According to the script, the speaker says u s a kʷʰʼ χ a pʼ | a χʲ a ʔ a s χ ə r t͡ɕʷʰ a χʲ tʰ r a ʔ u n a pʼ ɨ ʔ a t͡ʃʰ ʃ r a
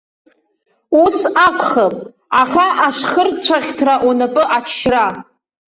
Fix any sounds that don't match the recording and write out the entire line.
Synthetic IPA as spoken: u s a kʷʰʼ χ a pʼ | a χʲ a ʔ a ʂ χ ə r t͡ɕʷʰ a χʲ tʰ r a ʔ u n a pʼ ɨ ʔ a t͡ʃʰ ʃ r a